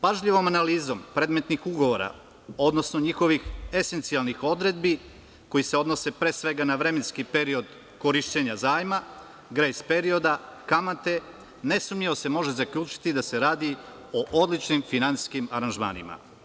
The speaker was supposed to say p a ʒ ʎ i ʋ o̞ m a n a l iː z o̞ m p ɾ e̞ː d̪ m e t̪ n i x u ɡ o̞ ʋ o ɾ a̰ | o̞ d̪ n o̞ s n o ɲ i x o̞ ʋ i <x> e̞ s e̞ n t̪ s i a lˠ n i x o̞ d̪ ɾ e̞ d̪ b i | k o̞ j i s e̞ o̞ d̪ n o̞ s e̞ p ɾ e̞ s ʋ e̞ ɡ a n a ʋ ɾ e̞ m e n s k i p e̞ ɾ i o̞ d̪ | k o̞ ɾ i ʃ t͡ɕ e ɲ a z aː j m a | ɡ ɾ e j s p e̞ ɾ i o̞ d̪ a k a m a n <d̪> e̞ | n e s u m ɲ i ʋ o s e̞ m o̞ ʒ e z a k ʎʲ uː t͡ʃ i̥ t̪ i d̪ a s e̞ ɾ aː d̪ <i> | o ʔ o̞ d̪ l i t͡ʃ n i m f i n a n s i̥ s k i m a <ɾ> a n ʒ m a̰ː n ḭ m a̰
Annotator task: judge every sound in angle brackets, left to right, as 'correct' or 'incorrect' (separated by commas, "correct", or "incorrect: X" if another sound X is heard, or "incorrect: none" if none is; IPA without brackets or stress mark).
correct, incorrect: t̪, correct, correct